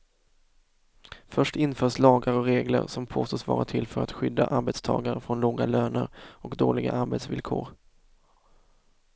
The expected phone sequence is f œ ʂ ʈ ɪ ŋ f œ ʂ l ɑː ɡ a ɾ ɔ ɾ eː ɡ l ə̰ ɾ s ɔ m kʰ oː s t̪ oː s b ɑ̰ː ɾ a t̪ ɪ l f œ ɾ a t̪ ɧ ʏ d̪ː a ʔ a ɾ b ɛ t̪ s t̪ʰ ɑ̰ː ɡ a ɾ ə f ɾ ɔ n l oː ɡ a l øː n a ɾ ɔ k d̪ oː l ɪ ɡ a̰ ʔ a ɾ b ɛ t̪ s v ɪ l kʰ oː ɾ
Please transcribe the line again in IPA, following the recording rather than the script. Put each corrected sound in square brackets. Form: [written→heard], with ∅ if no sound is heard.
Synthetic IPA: f œ ʂ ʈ ɪ [ŋ→n] f [œ→œː] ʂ l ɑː ɡ a ɾ ɔ ɾ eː ɡ l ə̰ ɾ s ɔ m [kʰ→pʰ] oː s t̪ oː s [b→v] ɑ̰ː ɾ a [t̪→t̪ʰ] ɪ l f œ ɾ a t̪ ɧ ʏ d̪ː a ʔ a ɾ b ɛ t̪ s t̪ʰ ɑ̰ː ɡ a ɾ ə f ɾ ɔ n l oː ɡ a l øː n [a→ə] ɾ ɔ k d̪ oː l ɪ ɡ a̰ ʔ a ɾ b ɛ t̪ s v ɪ l kʰ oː ɾ